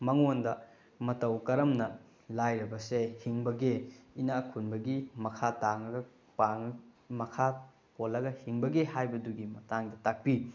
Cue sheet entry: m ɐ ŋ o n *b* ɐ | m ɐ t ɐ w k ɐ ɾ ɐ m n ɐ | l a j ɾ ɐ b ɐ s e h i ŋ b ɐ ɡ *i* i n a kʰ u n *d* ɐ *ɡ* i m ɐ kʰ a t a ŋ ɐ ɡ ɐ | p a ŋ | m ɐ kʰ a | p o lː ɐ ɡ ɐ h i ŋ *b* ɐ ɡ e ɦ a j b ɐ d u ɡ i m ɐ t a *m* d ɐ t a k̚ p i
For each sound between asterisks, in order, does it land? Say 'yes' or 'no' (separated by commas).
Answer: no, no, no, yes, yes, no